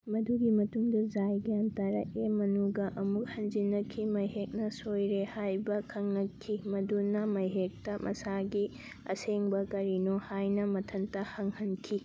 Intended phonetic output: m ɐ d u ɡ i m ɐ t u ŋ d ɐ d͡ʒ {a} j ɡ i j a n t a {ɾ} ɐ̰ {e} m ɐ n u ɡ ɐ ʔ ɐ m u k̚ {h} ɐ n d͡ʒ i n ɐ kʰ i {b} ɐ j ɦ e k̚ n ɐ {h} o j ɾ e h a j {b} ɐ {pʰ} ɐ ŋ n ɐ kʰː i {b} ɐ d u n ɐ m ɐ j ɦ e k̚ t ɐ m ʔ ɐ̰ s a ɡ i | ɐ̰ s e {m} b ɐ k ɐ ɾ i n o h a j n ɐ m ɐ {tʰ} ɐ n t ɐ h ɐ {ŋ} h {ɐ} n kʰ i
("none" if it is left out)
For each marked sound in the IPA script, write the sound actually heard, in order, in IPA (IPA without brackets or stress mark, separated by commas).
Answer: a, ɾ, e, h, m, s, b, kʰ, m, ŋ, tʰ, ŋ, ɐ